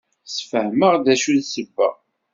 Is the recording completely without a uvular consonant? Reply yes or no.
no